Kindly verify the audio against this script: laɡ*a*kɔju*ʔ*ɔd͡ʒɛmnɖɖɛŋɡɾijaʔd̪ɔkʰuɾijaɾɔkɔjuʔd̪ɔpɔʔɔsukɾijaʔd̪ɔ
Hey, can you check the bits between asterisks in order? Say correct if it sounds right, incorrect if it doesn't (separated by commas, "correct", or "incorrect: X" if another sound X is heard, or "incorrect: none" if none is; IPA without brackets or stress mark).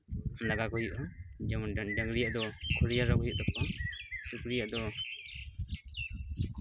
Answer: correct, correct